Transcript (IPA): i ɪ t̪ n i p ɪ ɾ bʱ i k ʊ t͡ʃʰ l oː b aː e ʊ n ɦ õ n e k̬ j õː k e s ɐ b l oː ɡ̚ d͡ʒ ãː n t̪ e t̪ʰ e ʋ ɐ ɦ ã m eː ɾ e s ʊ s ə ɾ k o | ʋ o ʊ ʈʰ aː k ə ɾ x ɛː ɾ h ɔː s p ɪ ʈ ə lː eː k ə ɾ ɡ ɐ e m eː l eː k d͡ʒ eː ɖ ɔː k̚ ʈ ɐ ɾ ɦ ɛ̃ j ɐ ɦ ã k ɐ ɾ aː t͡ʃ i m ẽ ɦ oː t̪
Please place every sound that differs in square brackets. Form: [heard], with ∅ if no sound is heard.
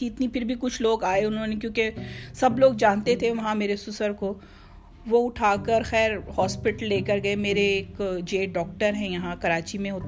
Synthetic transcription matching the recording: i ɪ t̪ n i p ɪ ɾ bʱ i k ʊ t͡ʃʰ l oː [ɡ] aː e ʊ n ɦ õ n e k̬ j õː k e s ɐ b l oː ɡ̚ d͡ʒ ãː n t̪ e t̪ʰ e ʋ ɐ ɦ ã m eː ɾ e s ʊ s ə ɾ k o | ʋ o ʊ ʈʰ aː k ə ɾ x ɛː ɾ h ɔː s p ɪ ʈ ə lː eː k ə ɾ ɡ ɐ e m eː [ɾ] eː k d͡ʒ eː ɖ ɔː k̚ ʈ [ə] ɾ ɦ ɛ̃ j ɐ ɦ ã k ɐ ɾ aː t͡ʃ i m ẽ ɦ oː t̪